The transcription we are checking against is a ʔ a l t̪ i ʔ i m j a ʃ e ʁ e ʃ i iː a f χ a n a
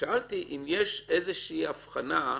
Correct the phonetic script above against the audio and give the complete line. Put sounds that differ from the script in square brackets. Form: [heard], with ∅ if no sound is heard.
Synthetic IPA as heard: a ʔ a l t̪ i ʔ i m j [e] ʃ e [z] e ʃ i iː a f χ a n a